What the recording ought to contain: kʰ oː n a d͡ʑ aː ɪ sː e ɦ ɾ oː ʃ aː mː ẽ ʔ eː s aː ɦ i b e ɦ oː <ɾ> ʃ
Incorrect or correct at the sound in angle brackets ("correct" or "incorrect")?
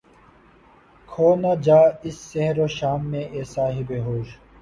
incorrect